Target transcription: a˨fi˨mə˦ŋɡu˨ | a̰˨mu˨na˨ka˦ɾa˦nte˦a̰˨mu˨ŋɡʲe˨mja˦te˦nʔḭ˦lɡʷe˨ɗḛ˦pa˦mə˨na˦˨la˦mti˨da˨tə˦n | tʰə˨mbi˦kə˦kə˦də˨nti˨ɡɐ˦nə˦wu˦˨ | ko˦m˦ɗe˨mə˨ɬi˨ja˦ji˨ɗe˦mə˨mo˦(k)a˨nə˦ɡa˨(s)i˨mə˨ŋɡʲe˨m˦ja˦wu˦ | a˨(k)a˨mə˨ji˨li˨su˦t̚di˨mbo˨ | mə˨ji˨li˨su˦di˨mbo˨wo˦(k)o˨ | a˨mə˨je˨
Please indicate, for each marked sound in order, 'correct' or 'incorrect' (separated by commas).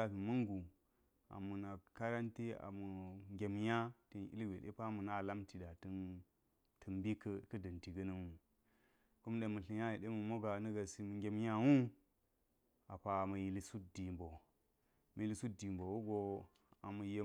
incorrect, correct, incorrect, incorrect